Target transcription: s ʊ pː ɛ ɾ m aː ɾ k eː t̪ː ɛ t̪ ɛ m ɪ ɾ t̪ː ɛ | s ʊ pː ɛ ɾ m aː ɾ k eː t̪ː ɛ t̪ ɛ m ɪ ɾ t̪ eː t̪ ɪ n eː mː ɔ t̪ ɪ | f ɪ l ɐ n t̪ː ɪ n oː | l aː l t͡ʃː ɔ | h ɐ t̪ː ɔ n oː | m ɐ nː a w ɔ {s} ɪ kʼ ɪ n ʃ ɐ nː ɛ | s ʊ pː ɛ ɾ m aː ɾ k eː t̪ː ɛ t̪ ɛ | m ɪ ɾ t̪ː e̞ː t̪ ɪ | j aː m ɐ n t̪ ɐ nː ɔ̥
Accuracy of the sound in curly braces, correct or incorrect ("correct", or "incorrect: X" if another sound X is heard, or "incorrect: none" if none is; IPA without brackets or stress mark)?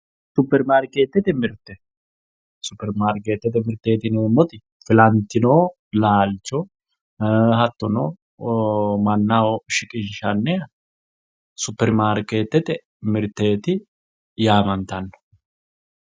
incorrect: ʃ